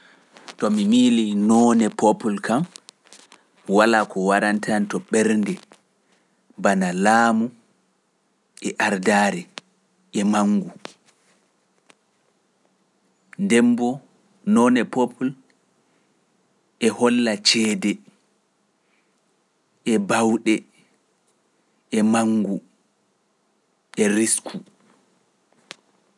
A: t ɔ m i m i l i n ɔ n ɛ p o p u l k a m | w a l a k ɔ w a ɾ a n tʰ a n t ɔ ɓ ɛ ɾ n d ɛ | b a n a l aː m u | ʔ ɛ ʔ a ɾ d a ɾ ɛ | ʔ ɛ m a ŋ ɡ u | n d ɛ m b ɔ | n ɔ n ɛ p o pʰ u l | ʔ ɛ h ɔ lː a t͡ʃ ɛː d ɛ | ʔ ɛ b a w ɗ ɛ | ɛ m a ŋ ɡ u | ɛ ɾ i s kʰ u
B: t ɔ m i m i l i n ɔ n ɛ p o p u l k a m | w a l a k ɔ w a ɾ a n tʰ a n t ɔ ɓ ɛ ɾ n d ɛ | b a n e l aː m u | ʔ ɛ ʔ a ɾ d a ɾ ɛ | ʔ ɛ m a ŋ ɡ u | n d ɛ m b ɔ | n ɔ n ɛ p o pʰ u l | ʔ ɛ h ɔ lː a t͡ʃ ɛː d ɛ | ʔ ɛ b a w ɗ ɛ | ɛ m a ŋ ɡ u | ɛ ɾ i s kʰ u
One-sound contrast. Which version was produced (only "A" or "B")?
A